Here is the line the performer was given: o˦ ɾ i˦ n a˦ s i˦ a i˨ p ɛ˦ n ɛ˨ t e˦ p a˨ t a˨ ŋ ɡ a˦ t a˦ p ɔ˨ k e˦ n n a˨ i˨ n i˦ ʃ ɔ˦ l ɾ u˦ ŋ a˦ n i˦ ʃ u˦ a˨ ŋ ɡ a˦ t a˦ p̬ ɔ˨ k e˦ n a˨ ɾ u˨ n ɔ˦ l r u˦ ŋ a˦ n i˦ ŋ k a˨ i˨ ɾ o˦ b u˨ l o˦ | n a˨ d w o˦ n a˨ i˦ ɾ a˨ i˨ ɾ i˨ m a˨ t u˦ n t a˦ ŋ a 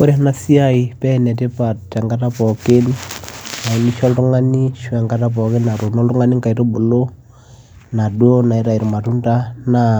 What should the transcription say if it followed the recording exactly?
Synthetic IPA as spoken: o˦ ɾ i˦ n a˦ s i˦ a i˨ p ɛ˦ n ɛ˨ t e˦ p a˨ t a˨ ŋ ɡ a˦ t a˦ p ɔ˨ k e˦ n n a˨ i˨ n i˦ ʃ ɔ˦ l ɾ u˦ ŋ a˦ n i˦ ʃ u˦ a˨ ŋ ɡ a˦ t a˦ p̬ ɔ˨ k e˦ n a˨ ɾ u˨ n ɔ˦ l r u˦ ŋ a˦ n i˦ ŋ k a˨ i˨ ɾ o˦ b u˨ l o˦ | n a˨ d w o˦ n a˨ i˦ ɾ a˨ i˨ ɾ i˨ m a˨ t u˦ n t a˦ n a